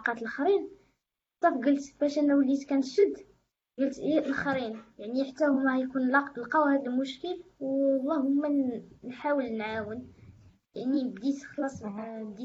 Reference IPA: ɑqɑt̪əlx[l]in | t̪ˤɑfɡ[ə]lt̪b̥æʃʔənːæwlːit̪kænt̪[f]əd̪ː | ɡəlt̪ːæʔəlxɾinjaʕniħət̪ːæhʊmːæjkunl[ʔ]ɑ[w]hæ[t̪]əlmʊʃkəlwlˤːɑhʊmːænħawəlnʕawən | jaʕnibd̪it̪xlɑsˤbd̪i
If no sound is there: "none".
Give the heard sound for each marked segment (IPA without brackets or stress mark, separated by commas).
ɾ, ə, ʃ, q, w, d̪